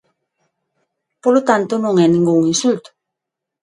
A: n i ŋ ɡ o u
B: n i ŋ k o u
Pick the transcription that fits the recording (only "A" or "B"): A